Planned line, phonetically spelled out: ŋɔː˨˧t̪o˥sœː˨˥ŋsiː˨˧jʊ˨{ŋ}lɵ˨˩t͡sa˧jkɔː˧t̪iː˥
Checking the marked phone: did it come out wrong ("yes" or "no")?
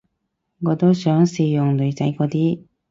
no